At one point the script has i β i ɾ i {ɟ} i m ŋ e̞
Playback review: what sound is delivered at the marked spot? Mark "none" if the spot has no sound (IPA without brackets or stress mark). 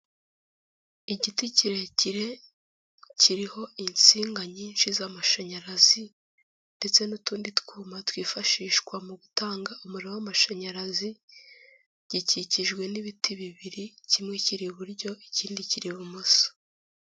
c